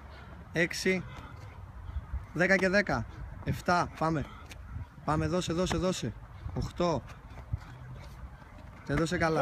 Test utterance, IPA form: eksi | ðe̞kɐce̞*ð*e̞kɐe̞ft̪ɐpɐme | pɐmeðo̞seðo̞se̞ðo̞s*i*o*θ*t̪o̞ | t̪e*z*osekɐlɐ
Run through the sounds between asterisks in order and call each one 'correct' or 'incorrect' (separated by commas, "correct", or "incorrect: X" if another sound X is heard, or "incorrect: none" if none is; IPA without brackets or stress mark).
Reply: correct, incorrect: e, incorrect: x, incorrect: ð